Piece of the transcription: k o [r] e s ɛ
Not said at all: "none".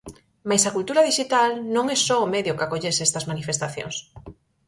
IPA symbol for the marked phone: ʎ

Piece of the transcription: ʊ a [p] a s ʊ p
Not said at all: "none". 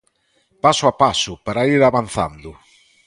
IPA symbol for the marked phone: p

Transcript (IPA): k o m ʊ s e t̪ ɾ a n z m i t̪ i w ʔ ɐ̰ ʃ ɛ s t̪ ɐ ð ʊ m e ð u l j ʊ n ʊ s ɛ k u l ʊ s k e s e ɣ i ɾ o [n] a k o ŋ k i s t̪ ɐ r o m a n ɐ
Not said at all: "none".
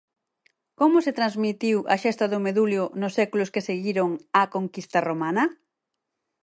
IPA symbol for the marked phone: ŋ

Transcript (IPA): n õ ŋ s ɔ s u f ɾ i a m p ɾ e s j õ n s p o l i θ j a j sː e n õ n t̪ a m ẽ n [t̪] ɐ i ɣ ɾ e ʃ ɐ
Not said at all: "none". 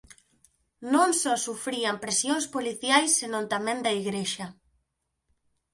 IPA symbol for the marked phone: d̪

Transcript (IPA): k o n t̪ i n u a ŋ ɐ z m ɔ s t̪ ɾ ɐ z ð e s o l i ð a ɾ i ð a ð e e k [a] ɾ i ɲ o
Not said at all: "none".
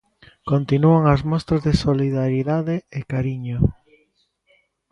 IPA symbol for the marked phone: a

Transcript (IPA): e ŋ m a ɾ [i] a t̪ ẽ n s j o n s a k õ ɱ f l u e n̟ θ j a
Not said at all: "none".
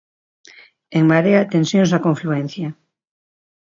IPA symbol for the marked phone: e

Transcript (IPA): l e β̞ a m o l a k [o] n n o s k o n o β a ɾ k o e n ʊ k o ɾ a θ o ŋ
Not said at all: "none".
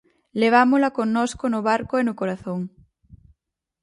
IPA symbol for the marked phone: o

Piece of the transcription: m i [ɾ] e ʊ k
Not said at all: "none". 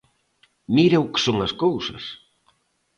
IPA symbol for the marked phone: ɾ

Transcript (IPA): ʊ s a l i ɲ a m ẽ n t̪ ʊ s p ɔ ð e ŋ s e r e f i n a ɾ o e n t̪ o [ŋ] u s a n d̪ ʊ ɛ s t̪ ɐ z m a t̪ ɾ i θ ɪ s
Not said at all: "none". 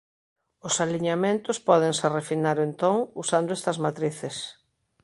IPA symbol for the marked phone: ŋ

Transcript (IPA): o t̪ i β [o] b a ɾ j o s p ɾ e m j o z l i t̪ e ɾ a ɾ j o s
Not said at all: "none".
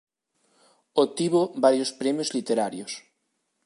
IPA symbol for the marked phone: o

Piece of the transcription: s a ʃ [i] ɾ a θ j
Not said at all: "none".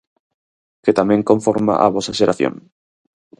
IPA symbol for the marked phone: e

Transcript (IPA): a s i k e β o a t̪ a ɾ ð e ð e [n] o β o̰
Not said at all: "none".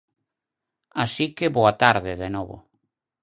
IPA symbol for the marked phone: n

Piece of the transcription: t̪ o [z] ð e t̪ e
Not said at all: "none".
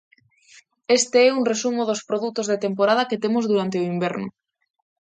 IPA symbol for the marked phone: z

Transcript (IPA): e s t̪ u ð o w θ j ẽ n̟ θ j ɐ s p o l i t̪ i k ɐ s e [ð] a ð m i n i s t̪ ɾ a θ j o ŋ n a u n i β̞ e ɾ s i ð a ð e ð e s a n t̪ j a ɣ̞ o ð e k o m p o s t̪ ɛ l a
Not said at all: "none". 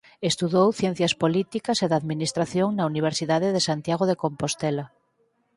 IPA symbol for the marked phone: ð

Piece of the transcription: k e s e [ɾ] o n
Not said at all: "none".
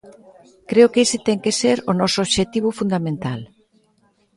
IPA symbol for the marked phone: ɾ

